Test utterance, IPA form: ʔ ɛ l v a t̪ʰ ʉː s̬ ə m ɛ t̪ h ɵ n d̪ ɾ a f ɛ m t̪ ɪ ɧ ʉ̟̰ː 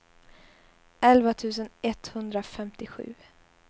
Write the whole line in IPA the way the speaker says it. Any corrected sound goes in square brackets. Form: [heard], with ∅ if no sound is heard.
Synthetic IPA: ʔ ɛ l v a t̪ʰ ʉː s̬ ə [n] ɛ t̪ h ɵ n d̪ ɾ a f ɛ m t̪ ɪ ɧ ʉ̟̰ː